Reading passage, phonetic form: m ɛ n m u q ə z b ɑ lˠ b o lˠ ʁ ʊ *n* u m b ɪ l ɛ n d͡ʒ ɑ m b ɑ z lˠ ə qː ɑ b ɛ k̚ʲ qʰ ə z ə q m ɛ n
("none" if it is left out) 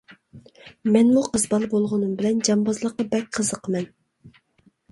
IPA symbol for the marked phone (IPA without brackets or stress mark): n